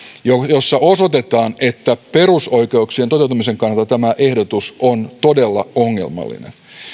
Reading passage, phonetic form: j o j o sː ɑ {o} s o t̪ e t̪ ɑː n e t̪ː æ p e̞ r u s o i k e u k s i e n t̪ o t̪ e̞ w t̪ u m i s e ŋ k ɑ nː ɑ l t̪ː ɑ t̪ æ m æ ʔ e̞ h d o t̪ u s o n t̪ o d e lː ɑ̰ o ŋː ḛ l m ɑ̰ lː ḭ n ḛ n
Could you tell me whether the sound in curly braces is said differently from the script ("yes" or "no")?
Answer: no